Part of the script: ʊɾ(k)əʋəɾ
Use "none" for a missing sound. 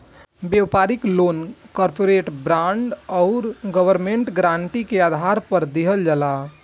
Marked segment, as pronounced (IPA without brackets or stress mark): ɡ